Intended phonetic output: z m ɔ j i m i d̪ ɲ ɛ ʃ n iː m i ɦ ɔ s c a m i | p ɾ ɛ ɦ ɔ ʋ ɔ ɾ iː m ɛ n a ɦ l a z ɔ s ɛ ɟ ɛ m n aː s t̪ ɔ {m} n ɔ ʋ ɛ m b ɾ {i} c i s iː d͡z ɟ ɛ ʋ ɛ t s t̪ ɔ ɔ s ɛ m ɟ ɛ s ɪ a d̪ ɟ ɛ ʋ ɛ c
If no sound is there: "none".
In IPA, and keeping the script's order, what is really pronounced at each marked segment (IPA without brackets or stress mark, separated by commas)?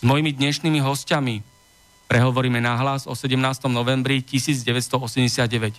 m, i